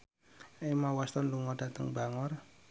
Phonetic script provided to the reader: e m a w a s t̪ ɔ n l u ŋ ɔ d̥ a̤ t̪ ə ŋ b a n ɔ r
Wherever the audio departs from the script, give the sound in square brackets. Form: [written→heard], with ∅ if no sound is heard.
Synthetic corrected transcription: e m a w a s t̪ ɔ n l u ŋ ɔ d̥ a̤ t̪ ə ŋ b a [n→ŋ] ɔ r